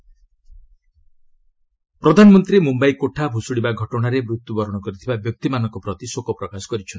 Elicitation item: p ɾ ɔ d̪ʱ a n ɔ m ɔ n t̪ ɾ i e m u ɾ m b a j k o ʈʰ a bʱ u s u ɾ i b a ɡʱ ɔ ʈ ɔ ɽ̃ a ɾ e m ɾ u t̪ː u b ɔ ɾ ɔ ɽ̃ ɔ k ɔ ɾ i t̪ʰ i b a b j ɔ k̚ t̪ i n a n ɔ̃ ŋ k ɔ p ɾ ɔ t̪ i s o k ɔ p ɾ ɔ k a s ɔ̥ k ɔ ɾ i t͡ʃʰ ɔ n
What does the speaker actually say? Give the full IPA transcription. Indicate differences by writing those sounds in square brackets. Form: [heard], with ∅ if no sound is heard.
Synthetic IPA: p ɾ ɔ d̪ʱ a n ɔ m ɔ n t̪ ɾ i e m u [∅] m b a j k o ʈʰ a bʱ u s u [ɽ] i b a ɡʱ ɔ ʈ ɔ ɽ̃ a ɾ e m ɾ u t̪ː u b ɔ ɾ ɔ ɽ̃ ɔ k ɔ ɾ i t̪ʰ i b a b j ɔ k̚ t̪ i [m] a n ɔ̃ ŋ k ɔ p ɾ ɔ t̪ i s o k ɔ p ɾ ɔ k a s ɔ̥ k ɔ ɾ i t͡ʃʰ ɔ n